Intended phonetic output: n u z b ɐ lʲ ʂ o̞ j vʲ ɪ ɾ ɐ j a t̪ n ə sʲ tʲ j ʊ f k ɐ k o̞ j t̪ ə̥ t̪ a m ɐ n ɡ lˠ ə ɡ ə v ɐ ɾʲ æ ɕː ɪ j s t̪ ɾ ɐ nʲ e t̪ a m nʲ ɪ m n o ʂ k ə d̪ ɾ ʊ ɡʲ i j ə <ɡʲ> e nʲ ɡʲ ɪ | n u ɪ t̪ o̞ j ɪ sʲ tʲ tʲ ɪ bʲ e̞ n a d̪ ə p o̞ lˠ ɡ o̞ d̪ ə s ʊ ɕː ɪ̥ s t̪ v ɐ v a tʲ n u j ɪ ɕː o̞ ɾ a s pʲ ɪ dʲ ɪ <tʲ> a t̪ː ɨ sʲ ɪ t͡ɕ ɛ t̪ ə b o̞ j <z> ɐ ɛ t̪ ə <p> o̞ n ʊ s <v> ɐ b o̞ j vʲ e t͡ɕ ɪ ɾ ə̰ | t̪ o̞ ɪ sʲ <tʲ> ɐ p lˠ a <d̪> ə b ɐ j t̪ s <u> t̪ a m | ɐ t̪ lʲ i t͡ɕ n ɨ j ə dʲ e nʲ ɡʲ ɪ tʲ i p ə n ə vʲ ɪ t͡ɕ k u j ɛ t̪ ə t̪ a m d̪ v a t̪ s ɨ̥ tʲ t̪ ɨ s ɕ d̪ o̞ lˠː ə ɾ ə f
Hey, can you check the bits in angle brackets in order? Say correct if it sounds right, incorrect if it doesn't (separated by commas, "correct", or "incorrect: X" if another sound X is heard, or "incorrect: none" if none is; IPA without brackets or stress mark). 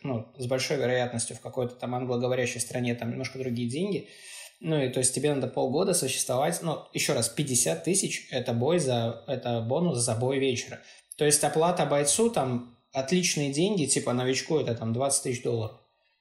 incorrect: dʲ, incorrect: sʲ, correct, incorrect: b, incorrect: z, correct, incorrect: t̪, correct